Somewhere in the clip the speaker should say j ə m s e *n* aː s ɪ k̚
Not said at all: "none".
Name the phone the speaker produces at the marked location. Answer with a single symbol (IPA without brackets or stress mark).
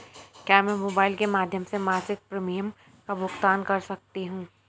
m